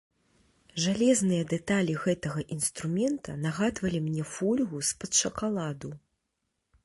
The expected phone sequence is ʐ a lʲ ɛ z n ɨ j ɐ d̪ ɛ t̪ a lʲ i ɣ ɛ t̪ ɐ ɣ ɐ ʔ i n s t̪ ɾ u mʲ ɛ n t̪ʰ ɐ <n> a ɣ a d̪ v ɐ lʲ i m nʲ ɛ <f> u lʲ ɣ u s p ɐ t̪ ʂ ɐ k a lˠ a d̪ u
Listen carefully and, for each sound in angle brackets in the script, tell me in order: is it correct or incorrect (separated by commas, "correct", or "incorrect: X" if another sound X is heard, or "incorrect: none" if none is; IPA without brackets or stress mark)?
correct, correct